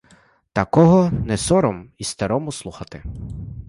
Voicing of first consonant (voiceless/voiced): voiceless